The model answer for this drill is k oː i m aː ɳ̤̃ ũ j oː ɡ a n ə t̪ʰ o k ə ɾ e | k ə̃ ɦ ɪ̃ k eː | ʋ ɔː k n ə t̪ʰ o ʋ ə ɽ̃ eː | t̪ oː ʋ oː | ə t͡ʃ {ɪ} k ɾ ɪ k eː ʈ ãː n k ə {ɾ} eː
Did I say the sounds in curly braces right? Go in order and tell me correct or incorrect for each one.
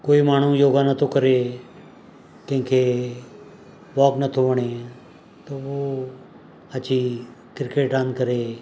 incorrect, correct

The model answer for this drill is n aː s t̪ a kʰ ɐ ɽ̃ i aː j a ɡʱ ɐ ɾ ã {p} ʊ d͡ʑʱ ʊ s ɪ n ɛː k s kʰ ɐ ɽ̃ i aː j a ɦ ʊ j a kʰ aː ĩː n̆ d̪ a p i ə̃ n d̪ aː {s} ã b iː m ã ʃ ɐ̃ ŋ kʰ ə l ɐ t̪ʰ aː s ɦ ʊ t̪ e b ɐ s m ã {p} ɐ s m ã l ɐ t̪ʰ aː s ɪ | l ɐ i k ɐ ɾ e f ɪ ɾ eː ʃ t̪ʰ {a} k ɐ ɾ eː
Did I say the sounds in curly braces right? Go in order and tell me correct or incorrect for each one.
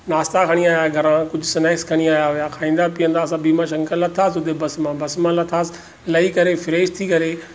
incorrect, correct, incorrect, incorrect

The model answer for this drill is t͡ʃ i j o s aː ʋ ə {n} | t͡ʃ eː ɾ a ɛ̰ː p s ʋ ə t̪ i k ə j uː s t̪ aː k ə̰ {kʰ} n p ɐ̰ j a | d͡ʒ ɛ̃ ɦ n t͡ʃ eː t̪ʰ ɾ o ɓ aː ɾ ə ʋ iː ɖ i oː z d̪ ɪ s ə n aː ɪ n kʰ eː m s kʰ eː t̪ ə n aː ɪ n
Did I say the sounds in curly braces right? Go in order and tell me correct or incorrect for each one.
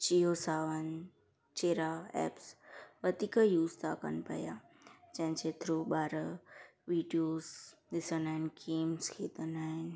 correct, incorrect

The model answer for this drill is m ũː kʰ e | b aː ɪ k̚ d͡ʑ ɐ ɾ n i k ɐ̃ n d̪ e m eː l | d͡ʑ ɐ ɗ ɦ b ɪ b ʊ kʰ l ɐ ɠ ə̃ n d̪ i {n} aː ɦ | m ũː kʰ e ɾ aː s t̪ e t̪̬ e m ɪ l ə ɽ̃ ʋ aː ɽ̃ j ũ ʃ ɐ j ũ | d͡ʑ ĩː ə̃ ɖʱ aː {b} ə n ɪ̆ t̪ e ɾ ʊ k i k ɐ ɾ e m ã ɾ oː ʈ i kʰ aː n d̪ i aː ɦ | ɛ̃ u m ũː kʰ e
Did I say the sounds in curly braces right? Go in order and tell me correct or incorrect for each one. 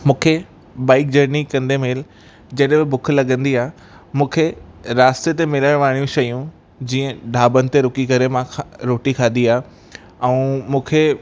incorrect, correct

